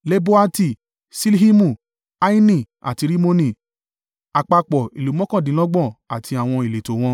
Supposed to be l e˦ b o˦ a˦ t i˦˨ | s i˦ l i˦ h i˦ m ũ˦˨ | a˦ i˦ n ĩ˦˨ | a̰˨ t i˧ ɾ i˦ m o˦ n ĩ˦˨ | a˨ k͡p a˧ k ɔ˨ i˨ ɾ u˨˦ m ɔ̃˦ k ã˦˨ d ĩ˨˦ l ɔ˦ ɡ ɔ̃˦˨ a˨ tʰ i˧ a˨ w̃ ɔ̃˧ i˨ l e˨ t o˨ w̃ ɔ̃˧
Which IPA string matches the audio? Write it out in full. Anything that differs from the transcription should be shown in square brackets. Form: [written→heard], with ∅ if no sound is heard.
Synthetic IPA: l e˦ b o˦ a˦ t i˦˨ | s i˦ l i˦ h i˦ m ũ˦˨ | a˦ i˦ n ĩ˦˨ | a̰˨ t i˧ ɾ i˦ m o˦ n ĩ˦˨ | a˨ k͡p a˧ [k→k͡p] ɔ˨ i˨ [ɾ→l] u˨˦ m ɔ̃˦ k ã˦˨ d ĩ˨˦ l ɔ˦ [ɡ→ɡ͡b] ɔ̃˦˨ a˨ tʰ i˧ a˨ w̃ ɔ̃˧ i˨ l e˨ t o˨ w̃ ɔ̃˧